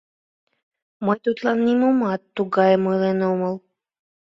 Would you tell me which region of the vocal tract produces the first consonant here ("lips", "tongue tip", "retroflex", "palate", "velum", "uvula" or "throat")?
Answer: lips